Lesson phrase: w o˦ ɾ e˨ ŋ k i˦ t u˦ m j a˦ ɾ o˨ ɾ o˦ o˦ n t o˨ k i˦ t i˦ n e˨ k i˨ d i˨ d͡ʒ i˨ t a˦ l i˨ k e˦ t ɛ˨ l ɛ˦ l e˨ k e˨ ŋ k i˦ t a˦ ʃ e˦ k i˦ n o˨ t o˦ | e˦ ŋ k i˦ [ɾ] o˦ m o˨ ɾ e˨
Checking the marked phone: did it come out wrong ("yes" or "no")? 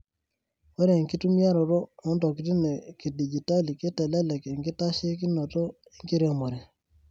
no